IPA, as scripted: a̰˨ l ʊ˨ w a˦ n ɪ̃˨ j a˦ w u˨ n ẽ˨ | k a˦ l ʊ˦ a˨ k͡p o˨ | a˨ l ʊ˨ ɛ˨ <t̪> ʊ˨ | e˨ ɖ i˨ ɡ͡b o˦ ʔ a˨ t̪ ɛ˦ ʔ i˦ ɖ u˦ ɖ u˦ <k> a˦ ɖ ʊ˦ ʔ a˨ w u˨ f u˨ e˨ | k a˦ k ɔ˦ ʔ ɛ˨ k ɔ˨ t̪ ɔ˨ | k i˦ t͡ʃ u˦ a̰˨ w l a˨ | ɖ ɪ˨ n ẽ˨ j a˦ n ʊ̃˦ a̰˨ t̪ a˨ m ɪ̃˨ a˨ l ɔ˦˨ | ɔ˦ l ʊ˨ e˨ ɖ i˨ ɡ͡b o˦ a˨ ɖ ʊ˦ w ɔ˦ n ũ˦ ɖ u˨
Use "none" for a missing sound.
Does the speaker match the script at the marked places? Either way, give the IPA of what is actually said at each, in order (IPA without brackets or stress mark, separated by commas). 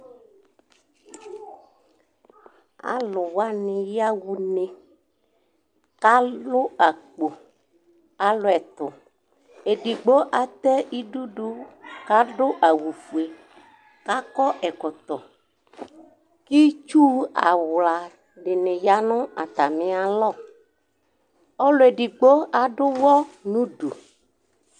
t̪, k